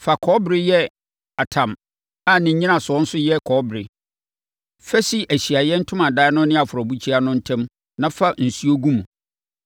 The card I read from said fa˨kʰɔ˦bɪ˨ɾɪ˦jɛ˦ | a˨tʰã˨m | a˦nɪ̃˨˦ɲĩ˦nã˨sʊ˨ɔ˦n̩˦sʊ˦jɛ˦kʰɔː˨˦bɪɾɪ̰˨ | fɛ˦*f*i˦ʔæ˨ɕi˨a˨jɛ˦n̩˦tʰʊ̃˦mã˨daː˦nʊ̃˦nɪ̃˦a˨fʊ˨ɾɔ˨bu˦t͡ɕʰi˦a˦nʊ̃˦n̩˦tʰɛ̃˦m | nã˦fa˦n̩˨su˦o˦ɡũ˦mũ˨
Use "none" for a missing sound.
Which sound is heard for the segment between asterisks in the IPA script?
s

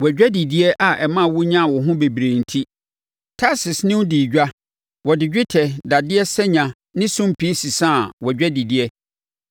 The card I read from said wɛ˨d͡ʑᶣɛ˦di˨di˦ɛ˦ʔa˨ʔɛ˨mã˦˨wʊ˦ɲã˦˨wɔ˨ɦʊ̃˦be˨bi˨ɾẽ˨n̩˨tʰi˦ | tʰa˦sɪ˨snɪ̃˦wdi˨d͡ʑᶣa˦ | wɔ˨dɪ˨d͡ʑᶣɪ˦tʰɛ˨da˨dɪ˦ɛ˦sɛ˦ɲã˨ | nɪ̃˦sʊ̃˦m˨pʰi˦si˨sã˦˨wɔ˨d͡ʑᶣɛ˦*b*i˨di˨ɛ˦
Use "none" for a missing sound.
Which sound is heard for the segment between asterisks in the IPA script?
d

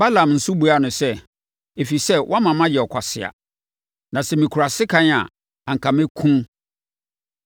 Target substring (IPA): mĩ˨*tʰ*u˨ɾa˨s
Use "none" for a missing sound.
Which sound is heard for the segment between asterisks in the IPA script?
kʰ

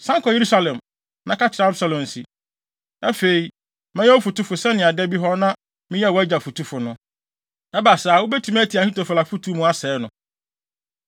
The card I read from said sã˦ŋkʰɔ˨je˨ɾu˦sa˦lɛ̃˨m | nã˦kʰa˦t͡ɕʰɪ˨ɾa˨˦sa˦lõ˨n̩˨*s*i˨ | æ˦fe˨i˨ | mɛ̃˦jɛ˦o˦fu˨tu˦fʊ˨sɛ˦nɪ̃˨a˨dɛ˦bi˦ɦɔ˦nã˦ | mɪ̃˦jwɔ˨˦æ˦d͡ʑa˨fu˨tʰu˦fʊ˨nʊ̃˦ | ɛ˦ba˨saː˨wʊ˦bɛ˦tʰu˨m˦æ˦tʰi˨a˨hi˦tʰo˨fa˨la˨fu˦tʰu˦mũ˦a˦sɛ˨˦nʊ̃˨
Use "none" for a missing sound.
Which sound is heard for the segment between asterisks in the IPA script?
s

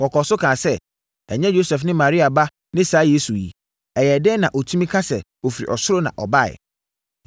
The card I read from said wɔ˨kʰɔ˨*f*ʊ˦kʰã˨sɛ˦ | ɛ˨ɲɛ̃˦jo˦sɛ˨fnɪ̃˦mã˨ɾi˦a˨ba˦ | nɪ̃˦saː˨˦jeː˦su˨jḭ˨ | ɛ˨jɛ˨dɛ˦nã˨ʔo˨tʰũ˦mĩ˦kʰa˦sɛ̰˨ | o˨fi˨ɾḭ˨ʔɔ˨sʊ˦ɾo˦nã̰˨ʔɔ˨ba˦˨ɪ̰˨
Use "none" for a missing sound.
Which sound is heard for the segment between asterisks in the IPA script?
s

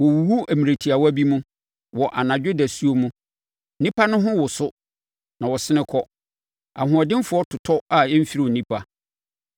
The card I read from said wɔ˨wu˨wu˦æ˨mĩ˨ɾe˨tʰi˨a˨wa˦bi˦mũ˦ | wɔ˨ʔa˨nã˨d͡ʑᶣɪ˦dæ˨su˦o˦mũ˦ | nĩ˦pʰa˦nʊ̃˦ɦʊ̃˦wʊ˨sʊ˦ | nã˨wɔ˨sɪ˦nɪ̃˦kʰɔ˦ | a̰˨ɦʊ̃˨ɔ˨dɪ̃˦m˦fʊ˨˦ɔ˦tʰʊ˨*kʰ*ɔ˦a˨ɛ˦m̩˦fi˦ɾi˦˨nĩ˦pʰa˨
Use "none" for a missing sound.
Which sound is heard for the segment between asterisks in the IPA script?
tʰ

